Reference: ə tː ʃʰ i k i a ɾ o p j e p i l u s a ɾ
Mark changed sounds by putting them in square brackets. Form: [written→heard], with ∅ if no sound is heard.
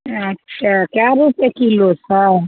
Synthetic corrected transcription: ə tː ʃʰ [i→a] k [i→j] a ɾ [o→u] p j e [p→k] i l [u→o] s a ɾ

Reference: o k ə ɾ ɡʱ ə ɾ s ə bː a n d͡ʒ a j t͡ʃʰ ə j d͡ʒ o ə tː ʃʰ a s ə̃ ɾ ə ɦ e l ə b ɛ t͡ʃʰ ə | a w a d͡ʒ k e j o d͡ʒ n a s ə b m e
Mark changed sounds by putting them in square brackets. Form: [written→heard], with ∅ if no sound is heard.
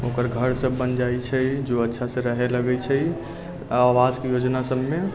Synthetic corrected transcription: o k ə ɾ ɡʱ ə ɾ s ə bː [a→ə] n d͡ʒ a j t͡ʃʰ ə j d͡ʒ o ə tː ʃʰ a s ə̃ ɾ ə ɦ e l ə [b→ɡ] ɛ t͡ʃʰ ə | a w a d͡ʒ k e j o d͡ʒ n a s ə b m e

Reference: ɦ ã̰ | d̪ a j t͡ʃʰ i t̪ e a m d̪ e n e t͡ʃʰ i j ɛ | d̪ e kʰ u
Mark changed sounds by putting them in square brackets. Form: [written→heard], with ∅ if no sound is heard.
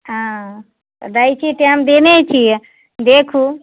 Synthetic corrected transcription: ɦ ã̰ | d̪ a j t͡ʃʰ i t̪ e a m d̪ e n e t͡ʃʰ i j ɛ | d̪ e kʰ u

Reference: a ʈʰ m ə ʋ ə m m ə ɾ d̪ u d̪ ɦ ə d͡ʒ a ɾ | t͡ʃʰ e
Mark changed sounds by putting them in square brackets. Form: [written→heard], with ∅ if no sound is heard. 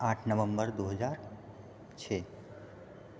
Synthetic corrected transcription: a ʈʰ [m→n] ə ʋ ə m [m→b] ə ɾ d̪ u [d̪→∅] ɦ ə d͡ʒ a ɾ | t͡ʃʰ e

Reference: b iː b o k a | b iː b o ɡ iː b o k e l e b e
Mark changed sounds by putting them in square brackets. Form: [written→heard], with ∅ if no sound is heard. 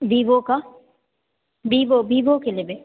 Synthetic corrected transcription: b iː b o k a | b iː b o [ɡ→b] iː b o k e l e b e

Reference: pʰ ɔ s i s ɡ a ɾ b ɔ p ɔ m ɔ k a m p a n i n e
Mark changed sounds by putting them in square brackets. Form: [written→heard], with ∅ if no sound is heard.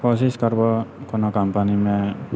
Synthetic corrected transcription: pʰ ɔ s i s [ɡ→k] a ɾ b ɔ [p→k] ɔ [m→n] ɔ k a m p a n i [n→m] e

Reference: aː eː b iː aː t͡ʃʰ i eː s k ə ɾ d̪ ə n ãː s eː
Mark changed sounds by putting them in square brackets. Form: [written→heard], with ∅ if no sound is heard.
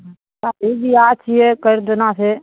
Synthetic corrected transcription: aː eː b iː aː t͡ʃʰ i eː [s→∅] k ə ɾ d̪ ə n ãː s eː

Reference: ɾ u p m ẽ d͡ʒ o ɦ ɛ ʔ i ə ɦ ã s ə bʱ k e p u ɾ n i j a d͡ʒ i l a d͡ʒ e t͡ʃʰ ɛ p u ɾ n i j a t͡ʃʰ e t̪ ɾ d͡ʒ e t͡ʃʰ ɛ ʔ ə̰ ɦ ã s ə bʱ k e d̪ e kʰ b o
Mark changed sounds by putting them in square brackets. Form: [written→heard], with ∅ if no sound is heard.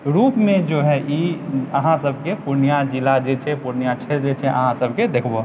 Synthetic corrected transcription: ɾ u p m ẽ d͡ʒ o ɦ ɛ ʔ i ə ɦ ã s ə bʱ k e p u ɾ n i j a d͡ʒ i l a d͡ʒ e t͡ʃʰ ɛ p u ɾ n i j a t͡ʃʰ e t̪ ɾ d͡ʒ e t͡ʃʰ ɛ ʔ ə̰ ɦ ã s ə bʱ k e d̪ e kʰ b o

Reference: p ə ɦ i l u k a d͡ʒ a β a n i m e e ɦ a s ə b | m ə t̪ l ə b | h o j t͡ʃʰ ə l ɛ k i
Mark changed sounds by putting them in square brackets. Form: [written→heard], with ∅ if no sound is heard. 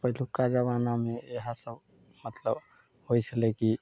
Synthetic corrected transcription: p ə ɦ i l u k a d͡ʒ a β a n [i→a] m e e ɦ a s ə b | m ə t̪ l ə b | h o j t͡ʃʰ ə l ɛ k i

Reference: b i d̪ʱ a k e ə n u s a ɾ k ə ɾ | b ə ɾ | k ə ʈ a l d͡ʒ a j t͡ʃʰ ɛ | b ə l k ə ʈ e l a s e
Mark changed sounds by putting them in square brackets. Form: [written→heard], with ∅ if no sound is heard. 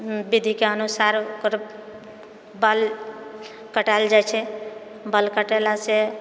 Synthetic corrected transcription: b i d̪ʱ [a→i] k e ə n u s a ɾ k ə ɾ | b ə [ɾ→l] | k ə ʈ a l d͡ʒ a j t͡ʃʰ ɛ | b ə l k ə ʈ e l a s e

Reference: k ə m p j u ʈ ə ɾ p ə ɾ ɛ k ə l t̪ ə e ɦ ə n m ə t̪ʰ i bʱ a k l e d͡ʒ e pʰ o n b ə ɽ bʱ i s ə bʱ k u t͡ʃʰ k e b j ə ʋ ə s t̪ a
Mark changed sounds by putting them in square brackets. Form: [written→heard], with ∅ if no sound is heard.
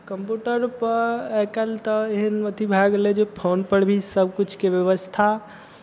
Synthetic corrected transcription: k ə m p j u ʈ ə ɾ p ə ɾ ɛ k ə l t̪ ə e ɦ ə n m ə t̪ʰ i bʱ a [k→ɡ] l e d͡ʒ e pʰ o n [b→p] ə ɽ bʱ i s ə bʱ k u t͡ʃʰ k e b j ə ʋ ə s [t̪→t̪ʰ] a

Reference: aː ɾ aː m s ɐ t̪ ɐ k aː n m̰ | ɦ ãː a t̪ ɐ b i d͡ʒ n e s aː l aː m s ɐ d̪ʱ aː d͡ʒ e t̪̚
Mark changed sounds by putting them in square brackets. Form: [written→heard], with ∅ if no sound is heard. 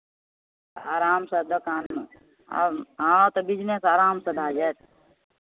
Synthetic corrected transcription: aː ɾ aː m s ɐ [t̪→d̪] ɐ k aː n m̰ | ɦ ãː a t̪ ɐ b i d͡ʒ n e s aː [l→ɾ] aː m s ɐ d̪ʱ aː d͡ʒ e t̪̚

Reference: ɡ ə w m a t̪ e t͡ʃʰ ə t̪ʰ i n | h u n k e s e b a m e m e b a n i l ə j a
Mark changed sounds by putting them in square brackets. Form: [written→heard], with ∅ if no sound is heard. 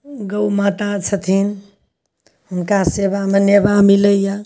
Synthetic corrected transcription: ɡ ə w m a t̪ [e→a] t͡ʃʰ ə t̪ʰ i n | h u n k [e→a] s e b a m e [m→n] e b a [n→m] i l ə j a

